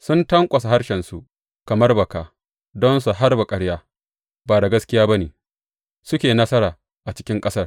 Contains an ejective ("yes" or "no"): yes